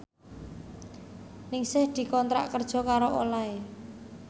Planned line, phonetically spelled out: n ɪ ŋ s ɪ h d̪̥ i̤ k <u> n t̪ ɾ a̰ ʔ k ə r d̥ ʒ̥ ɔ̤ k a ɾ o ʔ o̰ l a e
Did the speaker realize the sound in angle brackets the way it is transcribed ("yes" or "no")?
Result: no